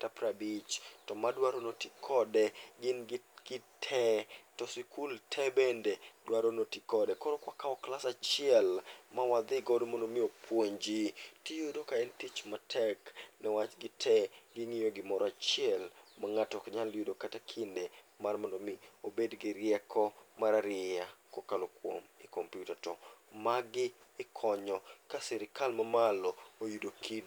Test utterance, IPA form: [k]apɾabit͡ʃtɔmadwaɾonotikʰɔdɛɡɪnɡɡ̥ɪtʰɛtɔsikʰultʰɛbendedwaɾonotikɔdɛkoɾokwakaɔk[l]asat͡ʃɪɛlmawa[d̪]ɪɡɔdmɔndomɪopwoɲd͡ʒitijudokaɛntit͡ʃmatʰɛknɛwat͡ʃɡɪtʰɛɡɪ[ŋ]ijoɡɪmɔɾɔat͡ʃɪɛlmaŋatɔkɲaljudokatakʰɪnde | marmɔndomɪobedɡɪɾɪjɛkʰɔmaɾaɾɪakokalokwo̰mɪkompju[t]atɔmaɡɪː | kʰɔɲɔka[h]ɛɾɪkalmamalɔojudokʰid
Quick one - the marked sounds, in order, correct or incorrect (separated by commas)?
incorrect, correct, correct, correct, correct, incorrect